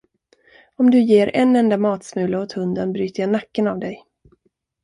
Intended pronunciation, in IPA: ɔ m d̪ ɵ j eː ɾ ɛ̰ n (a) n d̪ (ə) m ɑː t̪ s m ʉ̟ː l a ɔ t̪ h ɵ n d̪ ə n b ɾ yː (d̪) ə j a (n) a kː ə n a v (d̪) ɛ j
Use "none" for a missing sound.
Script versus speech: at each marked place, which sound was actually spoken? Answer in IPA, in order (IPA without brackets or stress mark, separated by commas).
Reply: ɛ, a, t̪, n, d̪